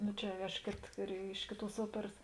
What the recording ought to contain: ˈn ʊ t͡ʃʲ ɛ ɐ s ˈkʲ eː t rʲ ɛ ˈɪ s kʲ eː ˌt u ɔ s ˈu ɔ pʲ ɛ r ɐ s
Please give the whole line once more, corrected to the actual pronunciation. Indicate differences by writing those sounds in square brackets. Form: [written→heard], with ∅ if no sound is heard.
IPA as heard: ˈn ʊ t͡ʃʲ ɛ ɐ [s→ʃ] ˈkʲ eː t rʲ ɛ ˈɪ [s→ʃ] kʲ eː ˌt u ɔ s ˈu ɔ pʲ ɛ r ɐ s